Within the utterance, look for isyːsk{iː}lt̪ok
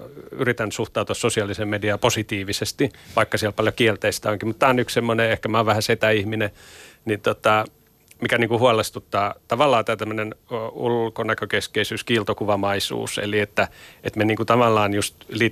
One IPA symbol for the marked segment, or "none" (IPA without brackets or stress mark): iː